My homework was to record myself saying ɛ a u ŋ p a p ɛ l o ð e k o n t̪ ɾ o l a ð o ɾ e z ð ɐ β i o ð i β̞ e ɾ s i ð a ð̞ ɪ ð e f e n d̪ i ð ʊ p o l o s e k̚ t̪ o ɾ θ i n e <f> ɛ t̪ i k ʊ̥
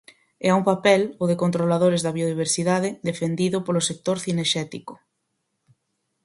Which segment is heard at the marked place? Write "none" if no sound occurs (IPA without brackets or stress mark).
ʃ